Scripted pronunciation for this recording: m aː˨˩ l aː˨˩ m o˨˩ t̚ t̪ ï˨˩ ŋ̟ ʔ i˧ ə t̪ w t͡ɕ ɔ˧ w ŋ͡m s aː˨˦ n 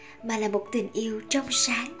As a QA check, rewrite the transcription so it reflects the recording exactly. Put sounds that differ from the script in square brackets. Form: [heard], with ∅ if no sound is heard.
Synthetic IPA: m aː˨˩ l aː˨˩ m o˨˩ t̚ t̪ ï˨˩ ŋ̟ ʔ i˧ ə [∅] w t͡ɕ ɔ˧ w ŋ͡m s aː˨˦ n